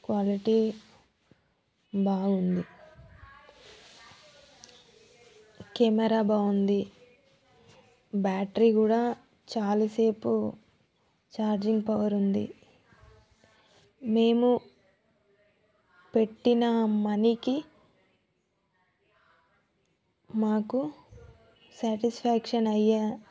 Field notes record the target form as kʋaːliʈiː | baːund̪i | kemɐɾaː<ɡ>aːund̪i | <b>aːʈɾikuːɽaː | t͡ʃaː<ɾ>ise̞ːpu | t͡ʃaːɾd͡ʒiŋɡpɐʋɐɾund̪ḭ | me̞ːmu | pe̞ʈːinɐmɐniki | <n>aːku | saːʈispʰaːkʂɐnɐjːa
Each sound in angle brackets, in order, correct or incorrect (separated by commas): incorrect, correct, incorrect, incorrect